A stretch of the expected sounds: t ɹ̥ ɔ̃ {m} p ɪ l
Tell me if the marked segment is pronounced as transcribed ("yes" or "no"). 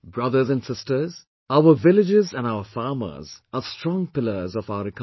no